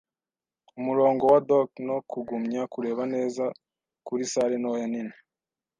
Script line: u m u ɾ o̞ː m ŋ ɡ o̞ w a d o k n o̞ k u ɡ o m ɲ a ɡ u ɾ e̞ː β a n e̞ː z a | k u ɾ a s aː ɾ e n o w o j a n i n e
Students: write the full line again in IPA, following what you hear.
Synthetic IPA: u m u ɾ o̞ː ŋ ɡ o̞ w a d o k n o̞ k u ɡ u m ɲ a k u ɾ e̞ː β a n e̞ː z a | k u ɾ i s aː ɾ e n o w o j a n i n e

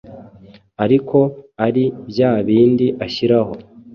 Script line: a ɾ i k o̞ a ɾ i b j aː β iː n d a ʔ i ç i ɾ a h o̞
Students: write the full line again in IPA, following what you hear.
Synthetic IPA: a ɾ i k o̞ a ɾ i b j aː β iː n d i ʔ a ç i ɾ a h o̞

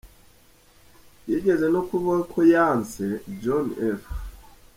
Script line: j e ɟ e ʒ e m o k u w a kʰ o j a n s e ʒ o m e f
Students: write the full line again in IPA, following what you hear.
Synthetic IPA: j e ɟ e z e n o k u β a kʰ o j a n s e d͡ʒ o n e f

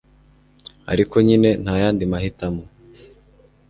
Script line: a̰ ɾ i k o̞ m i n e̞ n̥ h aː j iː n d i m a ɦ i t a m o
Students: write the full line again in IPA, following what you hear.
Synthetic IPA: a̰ ɾ i k o̞ ɲ i n e̞ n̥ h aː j aː n d i m a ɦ i t a m o

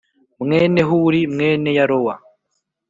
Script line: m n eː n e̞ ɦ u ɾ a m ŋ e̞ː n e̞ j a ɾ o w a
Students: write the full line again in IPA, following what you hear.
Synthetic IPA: m ŋ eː n e̞ ɦ u ɾ i m ŋ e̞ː n e̞ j a ɾ o w a

